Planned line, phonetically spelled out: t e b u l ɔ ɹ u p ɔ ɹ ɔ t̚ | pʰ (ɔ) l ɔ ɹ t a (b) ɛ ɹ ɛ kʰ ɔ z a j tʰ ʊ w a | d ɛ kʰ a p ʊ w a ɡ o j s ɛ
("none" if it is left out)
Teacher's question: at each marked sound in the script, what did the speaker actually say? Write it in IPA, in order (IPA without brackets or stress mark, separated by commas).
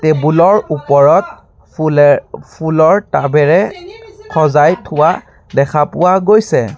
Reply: u, b